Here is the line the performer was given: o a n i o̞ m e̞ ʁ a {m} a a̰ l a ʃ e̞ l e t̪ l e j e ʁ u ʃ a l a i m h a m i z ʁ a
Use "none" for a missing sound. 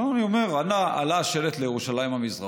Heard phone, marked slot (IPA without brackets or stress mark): n